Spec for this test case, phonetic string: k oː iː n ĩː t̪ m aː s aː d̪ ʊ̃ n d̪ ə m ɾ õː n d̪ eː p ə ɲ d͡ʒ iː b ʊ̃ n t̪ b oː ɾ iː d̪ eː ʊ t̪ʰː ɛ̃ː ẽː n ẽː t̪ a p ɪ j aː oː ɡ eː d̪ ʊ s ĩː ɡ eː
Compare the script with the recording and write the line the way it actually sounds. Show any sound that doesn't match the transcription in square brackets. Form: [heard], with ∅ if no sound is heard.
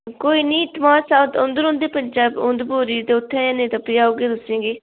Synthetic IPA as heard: k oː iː n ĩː t̪ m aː s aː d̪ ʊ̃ n d̪ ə [∅] ɾ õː n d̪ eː p ə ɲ d͡ʒ [aː] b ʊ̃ n [d̪] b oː ɾ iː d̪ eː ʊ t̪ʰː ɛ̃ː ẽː n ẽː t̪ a p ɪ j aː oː ɡ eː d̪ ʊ s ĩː ɡ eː